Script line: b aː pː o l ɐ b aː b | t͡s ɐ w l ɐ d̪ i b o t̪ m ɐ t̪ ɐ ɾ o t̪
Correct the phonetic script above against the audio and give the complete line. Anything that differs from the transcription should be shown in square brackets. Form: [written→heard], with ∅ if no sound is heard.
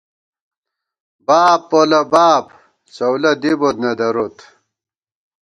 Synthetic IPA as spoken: b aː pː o l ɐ b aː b | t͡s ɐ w l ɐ d̪ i b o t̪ [m→n] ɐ [t̪→d̪] ɐ ɾ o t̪

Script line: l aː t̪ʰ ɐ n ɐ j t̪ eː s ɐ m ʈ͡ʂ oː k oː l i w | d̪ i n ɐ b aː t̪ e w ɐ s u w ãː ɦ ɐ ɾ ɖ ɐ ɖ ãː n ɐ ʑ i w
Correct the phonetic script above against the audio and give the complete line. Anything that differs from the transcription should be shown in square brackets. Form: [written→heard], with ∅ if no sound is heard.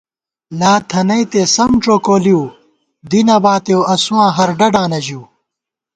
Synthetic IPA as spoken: l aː t̪ʰ ɐ n ɐ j t̪ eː s ɐ m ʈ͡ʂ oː k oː l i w | d̪ i n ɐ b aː t̪ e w ɐ s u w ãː ɦ ɐ ɾ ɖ ɐ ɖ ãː n ɐ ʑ i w

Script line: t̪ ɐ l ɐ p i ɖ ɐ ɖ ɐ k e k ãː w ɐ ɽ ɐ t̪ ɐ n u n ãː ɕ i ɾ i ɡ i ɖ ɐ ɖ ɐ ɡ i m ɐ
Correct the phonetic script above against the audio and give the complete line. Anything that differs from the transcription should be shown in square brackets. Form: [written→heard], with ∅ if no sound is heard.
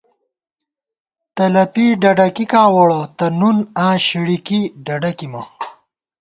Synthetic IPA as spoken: t̪ ɐ l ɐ p i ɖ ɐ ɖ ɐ k [e→i] k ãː w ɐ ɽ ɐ t̪ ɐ n u n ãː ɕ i [ɾ→ɽ] i [ɡ→k] i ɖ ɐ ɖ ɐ [ɡ→k] i m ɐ

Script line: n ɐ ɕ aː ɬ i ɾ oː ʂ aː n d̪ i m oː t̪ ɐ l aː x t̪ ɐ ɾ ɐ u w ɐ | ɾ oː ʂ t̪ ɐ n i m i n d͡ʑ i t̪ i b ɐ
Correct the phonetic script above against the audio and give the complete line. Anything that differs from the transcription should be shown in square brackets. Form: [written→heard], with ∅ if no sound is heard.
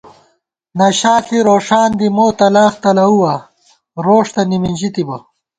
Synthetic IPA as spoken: n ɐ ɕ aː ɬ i ɾ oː ʂ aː n d̪ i m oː t̪ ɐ l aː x t̪ ɐ [ɾ→l] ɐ u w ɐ | ɾ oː ʂ t̪ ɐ n i m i n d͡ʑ i t̪ i b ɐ

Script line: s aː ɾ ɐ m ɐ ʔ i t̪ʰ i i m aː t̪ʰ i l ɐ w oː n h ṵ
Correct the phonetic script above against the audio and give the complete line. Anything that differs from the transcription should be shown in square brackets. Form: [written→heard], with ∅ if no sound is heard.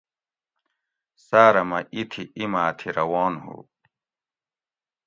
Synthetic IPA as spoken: s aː ɾ ɐ m ɐ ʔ i t̪ʰ i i m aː t̪ʰ i [l→ɾ] ɐ w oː n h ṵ

